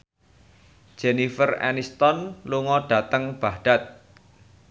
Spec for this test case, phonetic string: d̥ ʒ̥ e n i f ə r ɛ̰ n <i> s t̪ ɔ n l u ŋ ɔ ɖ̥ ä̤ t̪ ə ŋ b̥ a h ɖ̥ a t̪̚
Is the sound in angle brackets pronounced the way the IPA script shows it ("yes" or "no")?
yes